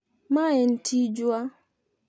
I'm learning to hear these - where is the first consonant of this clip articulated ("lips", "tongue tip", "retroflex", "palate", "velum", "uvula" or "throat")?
lips